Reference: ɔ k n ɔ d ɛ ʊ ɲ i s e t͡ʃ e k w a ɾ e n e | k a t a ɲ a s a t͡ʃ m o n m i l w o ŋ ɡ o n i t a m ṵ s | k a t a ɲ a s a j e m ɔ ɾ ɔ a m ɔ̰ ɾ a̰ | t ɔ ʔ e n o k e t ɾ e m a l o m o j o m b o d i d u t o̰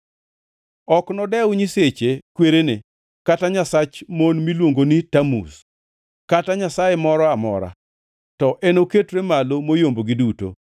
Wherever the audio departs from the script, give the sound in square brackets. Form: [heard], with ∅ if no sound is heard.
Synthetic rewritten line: ɔ k n ɔ d ɛ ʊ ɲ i s e t͡ʃ e k w [e] ɾ e n e | k a t a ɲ a s a t͡ʃ m o n m i l w o ŋ ɡ o n i t a m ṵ s | k a t a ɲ a s a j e m ɔ ɾ ɔ a m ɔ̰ ɾ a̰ | t ɔ ʔ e n o k e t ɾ e m a l o m o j o m b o [ɡ] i d u t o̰